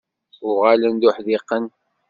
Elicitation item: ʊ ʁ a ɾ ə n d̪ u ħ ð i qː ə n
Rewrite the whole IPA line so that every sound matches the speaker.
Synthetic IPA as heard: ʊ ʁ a l ə n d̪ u ħ ð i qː ə n